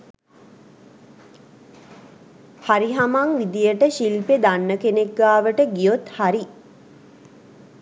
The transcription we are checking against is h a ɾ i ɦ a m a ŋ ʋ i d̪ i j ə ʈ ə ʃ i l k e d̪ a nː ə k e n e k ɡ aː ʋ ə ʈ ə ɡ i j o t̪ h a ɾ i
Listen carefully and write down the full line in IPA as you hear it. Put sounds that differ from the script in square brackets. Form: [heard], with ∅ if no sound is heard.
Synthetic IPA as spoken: h a ɾ i ɦ a m a ŋ ʋ i d̪ i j ə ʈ ə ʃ i l [p] e d̪ a nː ə k e n e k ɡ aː ʋ ə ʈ ə ɡ i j o t̪ h a ɾ i